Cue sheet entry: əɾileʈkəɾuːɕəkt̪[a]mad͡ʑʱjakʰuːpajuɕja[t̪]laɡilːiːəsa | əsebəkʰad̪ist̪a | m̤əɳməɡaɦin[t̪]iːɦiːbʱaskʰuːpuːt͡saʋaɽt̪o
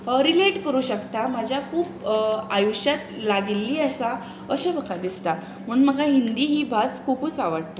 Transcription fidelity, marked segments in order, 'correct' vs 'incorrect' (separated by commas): correct, correct, incorrect